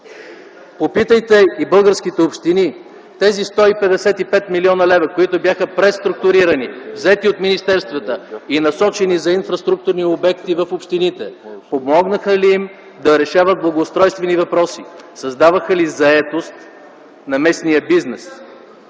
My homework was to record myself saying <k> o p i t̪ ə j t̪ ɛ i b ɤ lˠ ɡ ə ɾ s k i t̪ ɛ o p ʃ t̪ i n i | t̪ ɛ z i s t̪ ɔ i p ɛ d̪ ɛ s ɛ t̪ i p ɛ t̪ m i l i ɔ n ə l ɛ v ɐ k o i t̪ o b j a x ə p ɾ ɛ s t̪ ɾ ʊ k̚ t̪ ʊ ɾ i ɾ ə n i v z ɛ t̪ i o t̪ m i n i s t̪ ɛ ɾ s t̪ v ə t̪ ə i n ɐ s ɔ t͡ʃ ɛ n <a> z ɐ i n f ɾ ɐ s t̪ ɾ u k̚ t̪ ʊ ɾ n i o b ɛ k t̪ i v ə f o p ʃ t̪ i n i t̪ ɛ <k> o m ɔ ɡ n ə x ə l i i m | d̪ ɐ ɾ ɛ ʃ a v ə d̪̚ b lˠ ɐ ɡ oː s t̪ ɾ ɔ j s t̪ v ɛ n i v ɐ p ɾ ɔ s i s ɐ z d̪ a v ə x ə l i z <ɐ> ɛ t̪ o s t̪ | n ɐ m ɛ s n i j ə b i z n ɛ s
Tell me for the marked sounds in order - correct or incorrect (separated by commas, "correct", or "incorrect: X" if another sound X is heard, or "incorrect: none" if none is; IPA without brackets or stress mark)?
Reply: incorrect: p, incorrect: i, incorrect: p, correct